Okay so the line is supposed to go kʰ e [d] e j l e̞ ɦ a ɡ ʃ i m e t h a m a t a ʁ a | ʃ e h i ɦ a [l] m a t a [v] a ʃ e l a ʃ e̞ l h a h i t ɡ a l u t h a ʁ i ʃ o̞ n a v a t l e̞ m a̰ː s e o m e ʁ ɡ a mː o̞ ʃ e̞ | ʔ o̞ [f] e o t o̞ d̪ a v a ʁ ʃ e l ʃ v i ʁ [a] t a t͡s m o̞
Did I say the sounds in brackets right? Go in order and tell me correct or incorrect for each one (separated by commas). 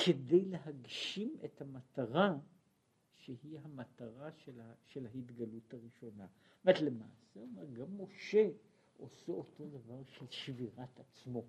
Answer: correct, incorrect, incorrect, incorrect, correct